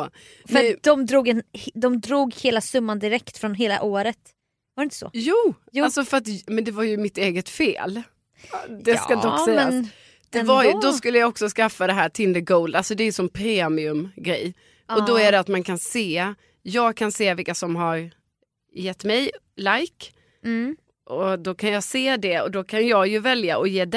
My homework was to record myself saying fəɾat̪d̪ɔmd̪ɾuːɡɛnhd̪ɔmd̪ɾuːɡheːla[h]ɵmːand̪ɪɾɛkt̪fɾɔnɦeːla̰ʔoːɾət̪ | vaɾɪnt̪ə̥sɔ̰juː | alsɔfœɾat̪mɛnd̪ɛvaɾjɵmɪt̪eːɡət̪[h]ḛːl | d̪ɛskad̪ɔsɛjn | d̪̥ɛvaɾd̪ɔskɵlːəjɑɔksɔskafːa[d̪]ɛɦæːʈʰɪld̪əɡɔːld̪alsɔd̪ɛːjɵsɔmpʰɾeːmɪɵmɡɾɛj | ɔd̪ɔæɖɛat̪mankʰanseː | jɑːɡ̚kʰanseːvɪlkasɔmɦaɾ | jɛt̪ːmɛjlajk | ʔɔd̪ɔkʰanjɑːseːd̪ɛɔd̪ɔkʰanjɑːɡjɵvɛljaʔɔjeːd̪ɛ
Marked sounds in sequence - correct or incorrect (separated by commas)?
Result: incorrect, incorrect, correct